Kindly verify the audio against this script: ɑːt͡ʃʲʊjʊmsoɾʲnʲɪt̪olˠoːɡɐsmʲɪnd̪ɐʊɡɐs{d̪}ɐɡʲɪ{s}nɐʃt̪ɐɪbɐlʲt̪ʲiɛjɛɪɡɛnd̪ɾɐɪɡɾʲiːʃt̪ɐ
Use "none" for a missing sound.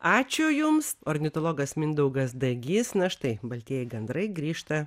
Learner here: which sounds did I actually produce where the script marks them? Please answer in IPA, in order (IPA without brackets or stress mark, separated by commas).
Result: d̪, s